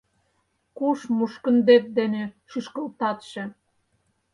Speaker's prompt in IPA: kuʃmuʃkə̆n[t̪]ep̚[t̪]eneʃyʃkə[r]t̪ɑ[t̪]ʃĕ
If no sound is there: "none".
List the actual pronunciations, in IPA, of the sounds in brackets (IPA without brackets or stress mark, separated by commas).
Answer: d̪, d̪, l, t̪